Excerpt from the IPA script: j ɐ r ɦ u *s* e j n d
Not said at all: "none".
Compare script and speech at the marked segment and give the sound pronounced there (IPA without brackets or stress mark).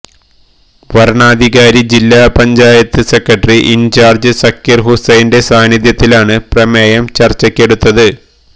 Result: s